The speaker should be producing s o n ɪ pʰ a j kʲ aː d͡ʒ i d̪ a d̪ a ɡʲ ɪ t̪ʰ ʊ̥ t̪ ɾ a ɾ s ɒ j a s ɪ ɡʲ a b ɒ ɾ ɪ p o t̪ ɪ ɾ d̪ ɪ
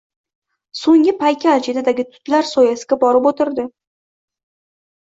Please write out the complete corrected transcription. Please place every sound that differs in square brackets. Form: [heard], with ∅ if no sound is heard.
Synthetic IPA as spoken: s o [ŋ] ɪ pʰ a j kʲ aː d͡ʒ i d̪ a d̪ a ɡʲ ɪ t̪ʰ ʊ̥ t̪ [l] a ɾ s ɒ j a s ɪ ɡʲ a b ɒ ɾ ɪ p o t̪ ɪ ɾ d̪ ɪ